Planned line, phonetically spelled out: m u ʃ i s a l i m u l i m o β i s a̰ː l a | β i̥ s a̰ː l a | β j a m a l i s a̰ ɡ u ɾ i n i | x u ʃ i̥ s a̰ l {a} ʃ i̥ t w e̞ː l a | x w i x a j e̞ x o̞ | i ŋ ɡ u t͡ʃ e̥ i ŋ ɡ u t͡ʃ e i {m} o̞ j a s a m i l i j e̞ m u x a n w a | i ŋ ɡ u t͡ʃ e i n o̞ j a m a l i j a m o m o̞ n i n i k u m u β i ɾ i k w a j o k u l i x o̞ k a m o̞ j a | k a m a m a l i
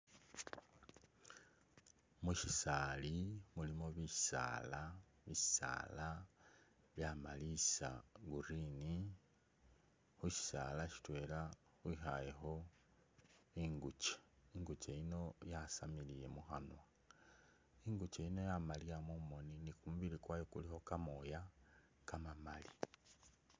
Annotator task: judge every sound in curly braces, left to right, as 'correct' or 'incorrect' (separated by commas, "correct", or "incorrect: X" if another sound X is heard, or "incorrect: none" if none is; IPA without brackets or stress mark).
correct, incorrect: n